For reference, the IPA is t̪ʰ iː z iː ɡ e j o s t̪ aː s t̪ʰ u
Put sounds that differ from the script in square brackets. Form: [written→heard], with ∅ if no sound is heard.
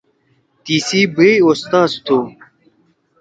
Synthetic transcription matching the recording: [t̪ʰ→t̪] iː [z→s] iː [ɡ→b] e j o s t̪ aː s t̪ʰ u